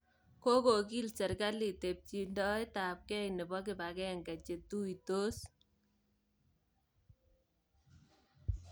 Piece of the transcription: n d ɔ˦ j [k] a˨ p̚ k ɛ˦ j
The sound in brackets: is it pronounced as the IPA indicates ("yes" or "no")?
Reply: no